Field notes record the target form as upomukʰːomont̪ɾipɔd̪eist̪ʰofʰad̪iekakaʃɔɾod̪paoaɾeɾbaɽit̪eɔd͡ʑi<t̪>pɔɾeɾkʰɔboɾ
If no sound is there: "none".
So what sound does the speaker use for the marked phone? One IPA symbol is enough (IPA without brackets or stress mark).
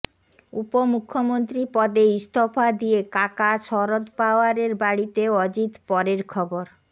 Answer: t̪